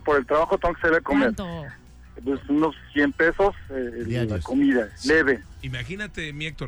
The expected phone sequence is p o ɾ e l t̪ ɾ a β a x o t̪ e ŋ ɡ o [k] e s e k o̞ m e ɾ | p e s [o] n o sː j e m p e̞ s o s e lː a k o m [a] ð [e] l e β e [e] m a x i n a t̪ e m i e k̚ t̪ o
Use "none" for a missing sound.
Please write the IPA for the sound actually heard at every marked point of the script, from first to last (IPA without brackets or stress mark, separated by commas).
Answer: k, u, i, a, i